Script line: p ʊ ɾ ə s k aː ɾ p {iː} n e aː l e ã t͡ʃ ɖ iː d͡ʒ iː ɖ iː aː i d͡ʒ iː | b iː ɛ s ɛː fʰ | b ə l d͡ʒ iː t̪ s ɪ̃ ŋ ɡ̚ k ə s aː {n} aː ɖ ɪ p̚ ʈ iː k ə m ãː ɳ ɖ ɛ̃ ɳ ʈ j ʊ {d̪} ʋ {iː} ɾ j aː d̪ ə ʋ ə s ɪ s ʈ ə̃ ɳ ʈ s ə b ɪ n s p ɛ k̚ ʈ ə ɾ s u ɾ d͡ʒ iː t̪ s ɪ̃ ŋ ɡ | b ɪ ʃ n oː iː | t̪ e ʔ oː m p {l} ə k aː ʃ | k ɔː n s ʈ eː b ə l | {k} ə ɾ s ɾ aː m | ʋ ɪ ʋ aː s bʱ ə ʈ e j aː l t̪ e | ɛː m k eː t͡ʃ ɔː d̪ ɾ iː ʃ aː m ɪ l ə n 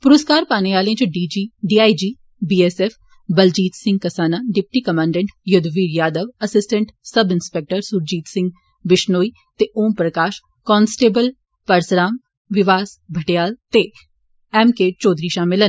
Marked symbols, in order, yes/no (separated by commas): no, yes, yes, yes, no, no